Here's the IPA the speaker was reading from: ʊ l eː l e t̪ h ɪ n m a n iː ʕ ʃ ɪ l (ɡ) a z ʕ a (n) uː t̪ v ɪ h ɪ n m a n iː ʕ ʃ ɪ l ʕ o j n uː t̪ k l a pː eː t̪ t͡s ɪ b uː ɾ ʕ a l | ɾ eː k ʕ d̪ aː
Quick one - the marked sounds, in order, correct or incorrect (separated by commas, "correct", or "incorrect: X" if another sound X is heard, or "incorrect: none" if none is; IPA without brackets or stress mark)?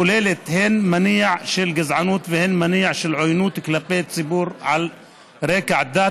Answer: correct, correct